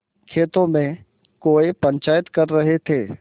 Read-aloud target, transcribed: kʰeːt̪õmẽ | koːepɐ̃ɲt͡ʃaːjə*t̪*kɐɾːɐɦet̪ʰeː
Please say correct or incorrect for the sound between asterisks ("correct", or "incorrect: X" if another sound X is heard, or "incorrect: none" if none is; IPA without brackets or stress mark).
correct